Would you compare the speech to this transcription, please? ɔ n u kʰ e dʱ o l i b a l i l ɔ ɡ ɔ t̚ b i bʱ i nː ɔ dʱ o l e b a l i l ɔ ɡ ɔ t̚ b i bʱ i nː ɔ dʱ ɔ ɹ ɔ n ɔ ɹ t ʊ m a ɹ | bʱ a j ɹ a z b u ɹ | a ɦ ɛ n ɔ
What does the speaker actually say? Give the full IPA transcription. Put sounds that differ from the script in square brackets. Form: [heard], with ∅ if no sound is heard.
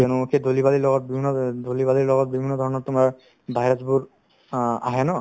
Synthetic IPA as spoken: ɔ n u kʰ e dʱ o l i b a l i l ɔ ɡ ɔ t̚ b i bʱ i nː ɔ dʱ o l [i] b a l i l ɔ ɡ ɔ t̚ b i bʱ i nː ɔ dʱ ɔ ɹ ɔ n ɔ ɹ t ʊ m a ɹ | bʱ a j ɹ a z b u ɹ | a ɦ ɛ n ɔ